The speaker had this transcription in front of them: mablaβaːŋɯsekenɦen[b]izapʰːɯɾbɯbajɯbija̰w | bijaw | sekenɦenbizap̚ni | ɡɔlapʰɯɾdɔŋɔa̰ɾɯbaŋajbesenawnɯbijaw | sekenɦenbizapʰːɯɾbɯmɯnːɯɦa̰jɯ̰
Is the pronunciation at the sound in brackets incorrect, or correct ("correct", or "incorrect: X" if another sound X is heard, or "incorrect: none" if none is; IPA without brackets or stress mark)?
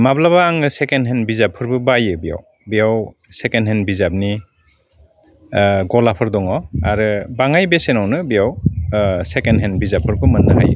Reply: correct